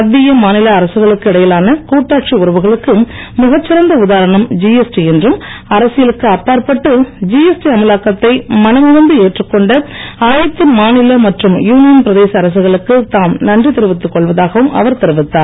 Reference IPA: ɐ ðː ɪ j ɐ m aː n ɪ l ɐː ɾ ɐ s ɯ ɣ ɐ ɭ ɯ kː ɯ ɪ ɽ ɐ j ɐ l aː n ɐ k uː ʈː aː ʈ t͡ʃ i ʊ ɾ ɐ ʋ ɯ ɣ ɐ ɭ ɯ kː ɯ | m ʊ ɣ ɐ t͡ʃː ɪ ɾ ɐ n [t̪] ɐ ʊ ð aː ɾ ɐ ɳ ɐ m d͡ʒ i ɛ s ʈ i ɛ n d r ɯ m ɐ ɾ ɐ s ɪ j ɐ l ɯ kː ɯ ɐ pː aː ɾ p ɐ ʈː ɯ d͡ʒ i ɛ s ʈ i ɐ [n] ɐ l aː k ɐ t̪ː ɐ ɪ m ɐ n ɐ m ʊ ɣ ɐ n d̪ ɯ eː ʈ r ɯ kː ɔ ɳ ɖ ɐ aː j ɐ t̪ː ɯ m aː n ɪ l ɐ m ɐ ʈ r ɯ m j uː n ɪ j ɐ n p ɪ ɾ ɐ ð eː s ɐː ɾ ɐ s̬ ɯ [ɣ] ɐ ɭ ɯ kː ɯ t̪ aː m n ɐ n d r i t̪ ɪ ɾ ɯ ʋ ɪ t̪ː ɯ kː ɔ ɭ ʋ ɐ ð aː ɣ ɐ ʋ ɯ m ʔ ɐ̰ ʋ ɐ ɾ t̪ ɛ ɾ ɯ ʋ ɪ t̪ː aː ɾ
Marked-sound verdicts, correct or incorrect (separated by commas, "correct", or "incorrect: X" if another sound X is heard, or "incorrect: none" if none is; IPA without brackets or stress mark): incorrect: d̪, incorrect: m, correct